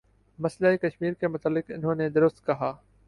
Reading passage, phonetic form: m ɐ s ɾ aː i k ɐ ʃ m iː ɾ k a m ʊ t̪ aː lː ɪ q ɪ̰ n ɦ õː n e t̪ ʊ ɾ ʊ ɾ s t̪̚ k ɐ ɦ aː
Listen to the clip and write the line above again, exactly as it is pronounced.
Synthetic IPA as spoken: m ɐ s l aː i k ɐ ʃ m iː ɾ k e m ʊ t̪ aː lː ɪ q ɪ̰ n ɦ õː n e d̪ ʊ ɾ ʊ s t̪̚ k ɐ ɦ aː